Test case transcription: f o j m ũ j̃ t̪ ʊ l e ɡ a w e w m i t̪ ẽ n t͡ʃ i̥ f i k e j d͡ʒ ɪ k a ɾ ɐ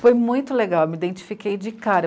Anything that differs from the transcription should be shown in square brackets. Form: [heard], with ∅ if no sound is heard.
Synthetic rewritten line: f o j m ũ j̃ t̪ ʊ l e ɡ a w e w m i [d̪] ẽ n t͡ʃ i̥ f i k e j d͡ʒ ɪ k a ɾ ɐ